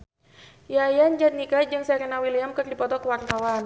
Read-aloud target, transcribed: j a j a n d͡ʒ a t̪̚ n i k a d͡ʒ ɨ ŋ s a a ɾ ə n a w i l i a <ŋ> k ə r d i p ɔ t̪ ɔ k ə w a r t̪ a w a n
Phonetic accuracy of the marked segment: incorrect: m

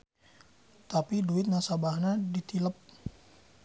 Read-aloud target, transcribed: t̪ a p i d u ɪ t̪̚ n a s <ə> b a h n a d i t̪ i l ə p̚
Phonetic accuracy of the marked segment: incorrect: a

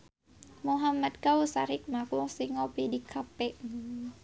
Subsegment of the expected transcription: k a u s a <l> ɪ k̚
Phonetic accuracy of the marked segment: incorrect: ɾ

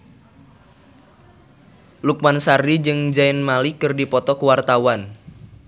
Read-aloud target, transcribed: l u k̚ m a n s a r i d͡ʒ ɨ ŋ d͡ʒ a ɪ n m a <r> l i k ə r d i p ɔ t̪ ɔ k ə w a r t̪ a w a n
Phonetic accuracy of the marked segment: incorrect: none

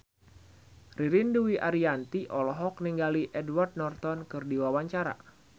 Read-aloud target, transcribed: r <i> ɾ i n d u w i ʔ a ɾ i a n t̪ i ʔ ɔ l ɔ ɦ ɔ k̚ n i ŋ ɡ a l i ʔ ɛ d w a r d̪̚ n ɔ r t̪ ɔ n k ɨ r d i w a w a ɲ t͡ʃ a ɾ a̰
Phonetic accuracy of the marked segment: correct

